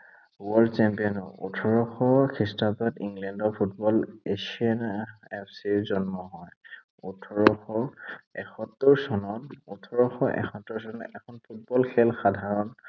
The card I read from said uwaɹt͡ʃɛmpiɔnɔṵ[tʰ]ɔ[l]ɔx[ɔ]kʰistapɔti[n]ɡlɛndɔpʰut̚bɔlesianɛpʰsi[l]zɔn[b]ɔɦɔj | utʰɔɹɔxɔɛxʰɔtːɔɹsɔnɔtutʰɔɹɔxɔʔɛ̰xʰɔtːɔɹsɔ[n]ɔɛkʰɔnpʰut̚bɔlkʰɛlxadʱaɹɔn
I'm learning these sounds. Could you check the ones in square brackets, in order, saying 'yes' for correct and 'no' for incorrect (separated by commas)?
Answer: yes, no, yes, no, no, no, yes